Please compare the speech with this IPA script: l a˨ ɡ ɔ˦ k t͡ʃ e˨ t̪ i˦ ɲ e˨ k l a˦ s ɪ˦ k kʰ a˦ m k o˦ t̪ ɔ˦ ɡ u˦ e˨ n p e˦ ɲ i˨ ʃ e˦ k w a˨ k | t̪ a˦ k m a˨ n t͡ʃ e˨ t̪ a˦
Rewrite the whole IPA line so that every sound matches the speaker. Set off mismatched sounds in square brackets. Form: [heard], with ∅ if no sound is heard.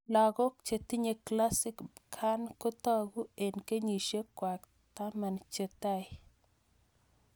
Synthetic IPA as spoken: l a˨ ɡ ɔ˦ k t͡ʃ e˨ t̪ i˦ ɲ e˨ k l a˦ s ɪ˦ k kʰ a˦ [n] k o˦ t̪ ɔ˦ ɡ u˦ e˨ n [k] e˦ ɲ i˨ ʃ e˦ k w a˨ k | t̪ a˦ [∅] m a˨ n t͡ʃ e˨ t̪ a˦